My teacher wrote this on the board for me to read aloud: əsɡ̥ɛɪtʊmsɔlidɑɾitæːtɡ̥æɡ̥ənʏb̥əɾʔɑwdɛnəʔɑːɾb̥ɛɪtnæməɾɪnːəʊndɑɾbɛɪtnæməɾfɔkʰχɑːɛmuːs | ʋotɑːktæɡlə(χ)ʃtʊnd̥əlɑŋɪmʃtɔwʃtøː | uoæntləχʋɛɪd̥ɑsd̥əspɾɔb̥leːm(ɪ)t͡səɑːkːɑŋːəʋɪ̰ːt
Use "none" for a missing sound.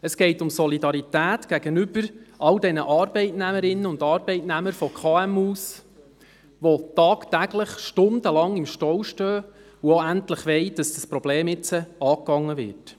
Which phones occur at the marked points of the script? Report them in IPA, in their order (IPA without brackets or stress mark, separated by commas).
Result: χ, ɪ